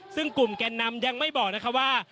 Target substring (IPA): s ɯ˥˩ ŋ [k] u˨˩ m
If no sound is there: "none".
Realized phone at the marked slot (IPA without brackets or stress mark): k